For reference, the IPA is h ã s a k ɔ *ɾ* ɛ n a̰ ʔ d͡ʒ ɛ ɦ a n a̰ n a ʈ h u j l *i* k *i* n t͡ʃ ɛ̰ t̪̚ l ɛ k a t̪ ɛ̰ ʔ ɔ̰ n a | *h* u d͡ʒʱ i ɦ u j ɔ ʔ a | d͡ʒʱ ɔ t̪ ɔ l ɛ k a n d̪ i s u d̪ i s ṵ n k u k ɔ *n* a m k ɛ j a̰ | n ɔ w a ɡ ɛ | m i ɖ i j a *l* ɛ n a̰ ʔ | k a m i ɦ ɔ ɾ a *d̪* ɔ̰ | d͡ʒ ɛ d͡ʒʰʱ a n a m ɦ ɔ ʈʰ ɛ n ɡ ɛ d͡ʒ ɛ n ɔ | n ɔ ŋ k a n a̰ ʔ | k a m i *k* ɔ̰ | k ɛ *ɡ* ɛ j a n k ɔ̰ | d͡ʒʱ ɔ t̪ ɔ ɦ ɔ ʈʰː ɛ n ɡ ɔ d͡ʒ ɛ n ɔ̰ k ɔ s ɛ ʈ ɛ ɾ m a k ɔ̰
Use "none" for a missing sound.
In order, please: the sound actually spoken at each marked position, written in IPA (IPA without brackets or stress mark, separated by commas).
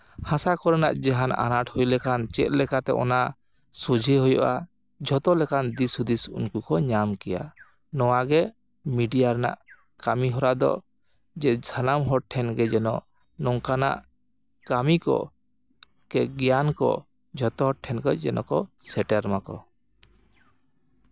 ɾ, ɛ, a, s, ɲ, ɾ, d̪, k, ɡ